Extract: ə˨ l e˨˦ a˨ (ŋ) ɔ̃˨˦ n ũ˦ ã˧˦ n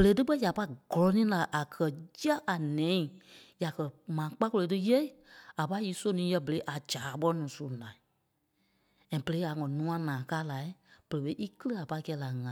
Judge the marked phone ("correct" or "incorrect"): correct